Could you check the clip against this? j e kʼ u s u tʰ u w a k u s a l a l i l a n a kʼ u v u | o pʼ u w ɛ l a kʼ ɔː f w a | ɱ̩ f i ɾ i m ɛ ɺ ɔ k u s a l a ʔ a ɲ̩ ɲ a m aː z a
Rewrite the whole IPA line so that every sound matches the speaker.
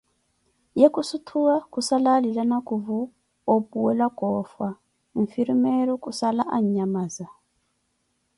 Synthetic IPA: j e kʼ u s u tʰ u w a k u s a l a l i l a n a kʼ u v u | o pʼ u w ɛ l a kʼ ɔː f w a | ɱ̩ f i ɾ i m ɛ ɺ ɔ k u s a l a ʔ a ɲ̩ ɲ a m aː z a

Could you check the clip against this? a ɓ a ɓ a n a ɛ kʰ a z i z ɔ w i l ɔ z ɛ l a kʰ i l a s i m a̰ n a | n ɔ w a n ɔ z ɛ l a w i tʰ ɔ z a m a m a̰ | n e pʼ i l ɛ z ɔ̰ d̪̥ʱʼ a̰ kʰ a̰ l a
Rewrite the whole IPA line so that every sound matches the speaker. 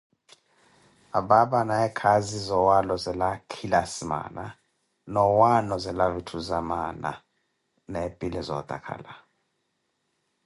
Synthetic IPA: a ɓ a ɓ a n a ɛ kʰ a z i z ɔ w a l ɔ z ɛ l a kʰ i l a s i m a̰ n a | n ɔ w a n ɔ z ɛ l a v i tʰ u z a m a n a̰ | n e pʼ i l ɛ z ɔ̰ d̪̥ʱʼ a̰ kʰ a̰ l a

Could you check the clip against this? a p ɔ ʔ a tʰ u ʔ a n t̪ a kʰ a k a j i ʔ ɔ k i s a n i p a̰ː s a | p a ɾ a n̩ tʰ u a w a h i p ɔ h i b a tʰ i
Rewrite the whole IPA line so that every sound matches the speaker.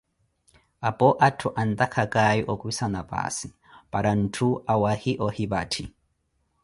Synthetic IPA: a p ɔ ʔ a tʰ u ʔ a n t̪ a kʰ a k a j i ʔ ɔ k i s a n a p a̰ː s i | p a ɾ a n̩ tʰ u a w a h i ʔ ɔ h i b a tʰ i

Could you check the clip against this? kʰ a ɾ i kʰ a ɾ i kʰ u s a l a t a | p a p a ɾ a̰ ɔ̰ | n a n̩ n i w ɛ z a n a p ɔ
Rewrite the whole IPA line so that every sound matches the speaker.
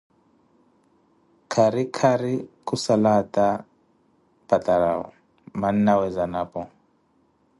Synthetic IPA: kʰ a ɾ i kʰ a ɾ i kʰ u s a l a t a | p a t a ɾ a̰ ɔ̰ | m a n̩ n a w ɛ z a n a p ɔ

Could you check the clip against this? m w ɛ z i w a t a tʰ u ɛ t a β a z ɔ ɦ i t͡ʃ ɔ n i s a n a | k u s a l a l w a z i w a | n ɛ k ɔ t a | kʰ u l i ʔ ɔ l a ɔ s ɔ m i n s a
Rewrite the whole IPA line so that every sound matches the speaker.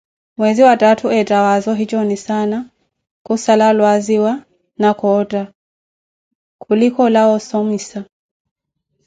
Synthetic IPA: m w ɛ z i w a t a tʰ u ɛ t a w a z ɔ ɦ i t͡ʃ ɔ n i s a n a | k u s a l a l w a z i w a | n a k ɔ t a | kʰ u l i k ɔ l a ɔ s ɔ m i s a

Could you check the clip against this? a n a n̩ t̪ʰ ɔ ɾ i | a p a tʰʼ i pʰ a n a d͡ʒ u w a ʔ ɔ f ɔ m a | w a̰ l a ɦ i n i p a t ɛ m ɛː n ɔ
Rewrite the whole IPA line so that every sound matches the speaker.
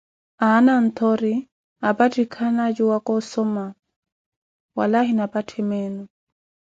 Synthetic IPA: a n a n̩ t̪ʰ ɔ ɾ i | a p a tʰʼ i kʰ a n a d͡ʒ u w a k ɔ s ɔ m a | w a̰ l a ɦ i n a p a tʰ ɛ m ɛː n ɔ

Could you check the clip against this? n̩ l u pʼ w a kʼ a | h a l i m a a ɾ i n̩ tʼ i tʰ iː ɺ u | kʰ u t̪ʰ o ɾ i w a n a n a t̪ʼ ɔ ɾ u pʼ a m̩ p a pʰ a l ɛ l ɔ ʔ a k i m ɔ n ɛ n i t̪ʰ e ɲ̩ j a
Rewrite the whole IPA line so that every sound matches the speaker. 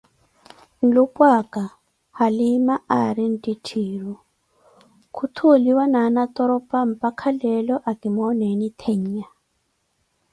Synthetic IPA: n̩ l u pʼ w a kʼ a | h a l i m a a ɾ i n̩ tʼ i tʰ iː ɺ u | kʰ u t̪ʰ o l i w a n a n a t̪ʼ ɔ ɾ ɔ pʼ a m̩ p a kʰ a l ɛ l ɔ ʔ a k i m ɔ n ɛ n i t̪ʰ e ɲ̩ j a

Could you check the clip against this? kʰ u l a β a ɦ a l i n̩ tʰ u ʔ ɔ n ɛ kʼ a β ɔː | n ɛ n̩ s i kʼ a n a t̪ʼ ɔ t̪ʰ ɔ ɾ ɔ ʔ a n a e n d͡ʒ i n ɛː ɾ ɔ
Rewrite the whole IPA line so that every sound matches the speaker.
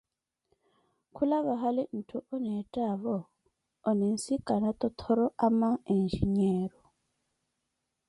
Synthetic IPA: kʰ u l a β a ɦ a l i n̩ tʰ u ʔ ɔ n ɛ tʼ a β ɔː | n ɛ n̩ s i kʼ a n a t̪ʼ ɔ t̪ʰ ɔ ɾ ɔ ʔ a m a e n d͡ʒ i ɲ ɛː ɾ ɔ

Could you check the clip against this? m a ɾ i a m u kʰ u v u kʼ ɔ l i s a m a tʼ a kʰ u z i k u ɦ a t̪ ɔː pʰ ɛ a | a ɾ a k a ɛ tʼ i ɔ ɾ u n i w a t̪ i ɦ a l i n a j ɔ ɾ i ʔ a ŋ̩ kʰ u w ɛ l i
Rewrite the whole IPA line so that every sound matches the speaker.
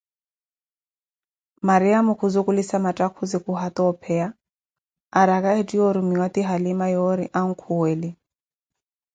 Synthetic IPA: m a ɾ i a m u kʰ u z u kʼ u l i s a m a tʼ a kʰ u z i k u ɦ a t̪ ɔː pʰ ɛ a | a ɾ a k a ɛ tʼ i ɔ ɾ u m i w a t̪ i ɦ a l i m a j ɔ ɾ i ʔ a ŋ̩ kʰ u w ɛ l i

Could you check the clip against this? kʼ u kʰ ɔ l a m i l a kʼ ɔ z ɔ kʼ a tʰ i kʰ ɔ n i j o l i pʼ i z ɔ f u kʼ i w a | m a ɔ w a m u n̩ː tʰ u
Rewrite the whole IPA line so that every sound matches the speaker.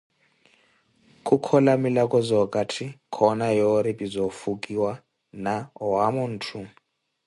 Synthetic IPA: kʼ u kʰ ɔ l a m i l a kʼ ɔ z ɔ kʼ a tʰ i kʰ ɔ n a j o ɾ i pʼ i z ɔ f u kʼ i w a | n a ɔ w a m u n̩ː tʰ u

